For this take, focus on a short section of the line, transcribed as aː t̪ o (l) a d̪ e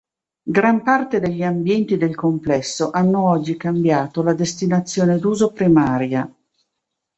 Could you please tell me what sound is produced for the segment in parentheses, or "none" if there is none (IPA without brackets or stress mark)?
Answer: l